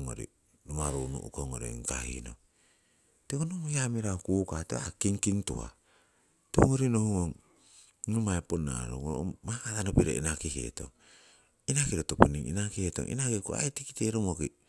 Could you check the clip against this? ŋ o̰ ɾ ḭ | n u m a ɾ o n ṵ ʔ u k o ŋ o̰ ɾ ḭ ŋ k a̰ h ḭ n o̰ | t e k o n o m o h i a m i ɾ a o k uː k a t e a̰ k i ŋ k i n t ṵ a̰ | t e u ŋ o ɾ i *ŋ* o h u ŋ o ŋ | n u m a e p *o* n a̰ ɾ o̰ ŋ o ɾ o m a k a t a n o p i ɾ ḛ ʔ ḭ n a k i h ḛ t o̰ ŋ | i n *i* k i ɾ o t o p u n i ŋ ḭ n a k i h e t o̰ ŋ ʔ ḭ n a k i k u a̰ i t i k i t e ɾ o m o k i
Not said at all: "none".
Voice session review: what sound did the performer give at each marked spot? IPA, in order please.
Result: n, o, a

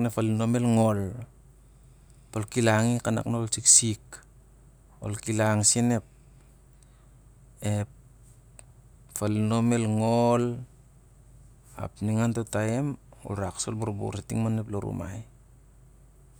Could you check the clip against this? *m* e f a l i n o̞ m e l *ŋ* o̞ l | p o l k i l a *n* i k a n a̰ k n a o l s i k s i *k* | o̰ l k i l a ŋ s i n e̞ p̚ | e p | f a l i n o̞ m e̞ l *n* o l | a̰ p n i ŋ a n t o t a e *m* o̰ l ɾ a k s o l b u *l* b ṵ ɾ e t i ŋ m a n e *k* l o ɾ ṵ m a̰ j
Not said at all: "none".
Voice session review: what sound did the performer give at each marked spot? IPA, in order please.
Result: n, ŋ, ŋ, k, ŋ, m, ɾ, p

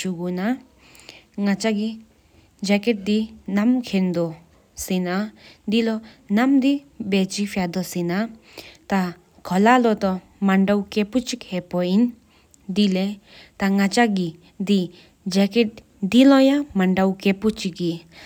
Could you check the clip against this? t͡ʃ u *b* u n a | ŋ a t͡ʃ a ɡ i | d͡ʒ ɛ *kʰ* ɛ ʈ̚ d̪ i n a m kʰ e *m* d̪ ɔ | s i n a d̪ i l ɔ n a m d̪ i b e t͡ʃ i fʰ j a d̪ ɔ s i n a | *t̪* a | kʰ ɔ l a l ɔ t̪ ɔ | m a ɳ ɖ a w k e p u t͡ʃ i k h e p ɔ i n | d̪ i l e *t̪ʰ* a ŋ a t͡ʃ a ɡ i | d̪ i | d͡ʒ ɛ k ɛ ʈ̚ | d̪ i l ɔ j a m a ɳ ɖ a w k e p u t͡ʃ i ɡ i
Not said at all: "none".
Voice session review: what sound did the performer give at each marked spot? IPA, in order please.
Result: ɡ, k, n, t̪, t̪

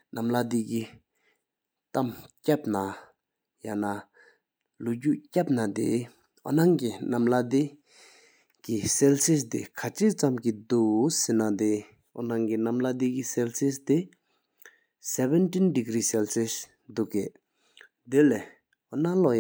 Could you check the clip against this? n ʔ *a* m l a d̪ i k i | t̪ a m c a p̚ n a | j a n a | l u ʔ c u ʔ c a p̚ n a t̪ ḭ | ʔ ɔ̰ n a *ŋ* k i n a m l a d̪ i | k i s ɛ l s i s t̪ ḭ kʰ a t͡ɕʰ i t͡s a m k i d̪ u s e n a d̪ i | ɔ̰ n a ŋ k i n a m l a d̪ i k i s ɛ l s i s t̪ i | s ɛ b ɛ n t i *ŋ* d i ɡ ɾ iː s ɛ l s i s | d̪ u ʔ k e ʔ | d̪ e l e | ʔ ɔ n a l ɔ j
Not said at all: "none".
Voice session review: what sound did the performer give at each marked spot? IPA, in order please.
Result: a, ŋ, n

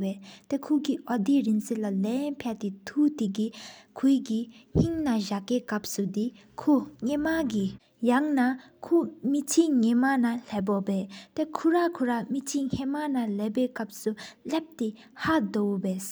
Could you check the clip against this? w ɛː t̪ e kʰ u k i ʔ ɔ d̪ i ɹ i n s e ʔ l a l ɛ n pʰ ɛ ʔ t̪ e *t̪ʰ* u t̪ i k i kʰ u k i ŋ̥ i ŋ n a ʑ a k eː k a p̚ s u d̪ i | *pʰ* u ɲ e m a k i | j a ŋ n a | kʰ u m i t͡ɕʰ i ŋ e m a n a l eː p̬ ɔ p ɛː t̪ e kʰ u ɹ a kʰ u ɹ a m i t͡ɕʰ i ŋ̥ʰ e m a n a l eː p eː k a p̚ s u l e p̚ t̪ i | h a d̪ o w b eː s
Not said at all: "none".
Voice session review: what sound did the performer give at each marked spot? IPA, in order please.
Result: t̪ʰ, kʰ

